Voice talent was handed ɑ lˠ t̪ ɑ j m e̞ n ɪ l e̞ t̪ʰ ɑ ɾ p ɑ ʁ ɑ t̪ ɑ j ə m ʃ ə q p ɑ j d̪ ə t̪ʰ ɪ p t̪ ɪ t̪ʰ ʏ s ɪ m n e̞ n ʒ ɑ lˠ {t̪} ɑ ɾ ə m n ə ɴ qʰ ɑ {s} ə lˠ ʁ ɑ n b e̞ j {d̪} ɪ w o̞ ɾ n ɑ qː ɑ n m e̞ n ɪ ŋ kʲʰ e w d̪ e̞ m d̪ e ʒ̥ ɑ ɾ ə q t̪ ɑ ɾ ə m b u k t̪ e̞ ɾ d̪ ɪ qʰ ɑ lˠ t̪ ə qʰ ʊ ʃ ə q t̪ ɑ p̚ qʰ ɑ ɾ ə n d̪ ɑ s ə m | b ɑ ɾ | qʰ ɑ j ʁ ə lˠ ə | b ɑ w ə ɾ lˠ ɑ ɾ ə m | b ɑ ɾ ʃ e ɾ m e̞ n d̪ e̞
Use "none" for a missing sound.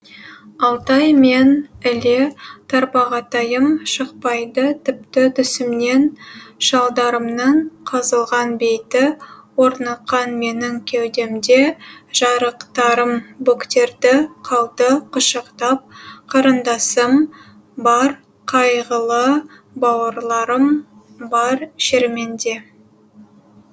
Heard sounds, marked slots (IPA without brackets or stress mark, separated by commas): d̪, z, t̪